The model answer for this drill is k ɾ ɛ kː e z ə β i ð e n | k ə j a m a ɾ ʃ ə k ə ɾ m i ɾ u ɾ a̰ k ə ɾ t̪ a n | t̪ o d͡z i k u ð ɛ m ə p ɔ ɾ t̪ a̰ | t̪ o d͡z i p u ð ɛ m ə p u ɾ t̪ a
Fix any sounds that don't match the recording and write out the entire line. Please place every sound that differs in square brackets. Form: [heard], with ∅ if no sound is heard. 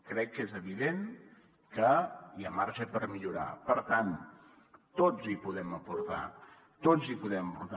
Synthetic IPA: k ɾ ɛ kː e z ə β i ð e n | k ə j a m a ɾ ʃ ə [p] ə ɾ m i [ʎ] u ɾ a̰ [p] ə ɾ t̪ a n | t̪ o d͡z i [p] u ð ɛ m ə p [u] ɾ t̪ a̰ | t̪ o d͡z i p u ð ɛ m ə p u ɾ t̪ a